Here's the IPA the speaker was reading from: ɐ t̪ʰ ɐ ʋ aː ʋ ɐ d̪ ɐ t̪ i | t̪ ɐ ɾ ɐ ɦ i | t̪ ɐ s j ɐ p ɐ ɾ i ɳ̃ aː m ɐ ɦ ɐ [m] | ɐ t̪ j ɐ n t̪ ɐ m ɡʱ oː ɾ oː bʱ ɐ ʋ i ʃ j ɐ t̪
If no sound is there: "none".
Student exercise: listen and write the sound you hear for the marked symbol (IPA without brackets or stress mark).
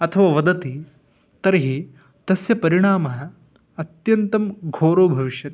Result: none